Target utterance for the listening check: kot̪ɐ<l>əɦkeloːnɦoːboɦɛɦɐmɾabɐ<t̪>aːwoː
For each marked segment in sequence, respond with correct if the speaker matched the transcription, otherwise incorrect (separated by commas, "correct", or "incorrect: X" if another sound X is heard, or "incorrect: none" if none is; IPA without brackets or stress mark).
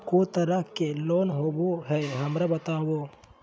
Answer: incorrect: ɾ, correct